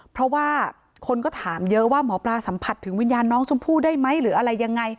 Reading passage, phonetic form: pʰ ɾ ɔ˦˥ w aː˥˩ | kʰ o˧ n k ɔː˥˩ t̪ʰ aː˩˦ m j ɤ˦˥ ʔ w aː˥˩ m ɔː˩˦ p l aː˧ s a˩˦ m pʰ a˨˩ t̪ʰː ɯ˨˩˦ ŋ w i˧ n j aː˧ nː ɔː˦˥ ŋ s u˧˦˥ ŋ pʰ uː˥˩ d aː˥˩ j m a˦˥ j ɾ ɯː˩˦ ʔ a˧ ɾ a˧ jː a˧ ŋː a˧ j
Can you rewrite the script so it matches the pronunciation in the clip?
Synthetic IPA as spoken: pʰ ɾ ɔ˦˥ w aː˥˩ | kʰ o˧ n k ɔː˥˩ t̪ʰ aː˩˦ m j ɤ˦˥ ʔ w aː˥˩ m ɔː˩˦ p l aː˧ s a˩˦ m pʰ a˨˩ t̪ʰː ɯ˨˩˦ ŋ w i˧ n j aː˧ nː ɔː˦˥ ŋ s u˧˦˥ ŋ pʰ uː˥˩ d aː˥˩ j m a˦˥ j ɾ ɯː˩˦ ʔ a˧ ɾ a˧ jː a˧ ŋː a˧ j